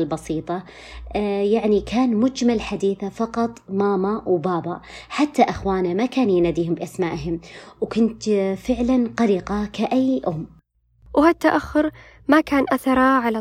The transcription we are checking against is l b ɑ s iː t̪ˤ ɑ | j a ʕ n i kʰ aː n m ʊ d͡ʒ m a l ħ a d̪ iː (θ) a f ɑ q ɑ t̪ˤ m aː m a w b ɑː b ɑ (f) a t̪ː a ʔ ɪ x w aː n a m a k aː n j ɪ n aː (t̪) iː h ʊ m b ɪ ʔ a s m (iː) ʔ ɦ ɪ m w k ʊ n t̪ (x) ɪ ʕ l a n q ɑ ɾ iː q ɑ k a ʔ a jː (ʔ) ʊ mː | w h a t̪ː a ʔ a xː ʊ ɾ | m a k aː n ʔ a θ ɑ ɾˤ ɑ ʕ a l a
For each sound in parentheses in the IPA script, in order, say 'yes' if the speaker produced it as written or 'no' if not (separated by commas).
yes, no, no, no, no, yes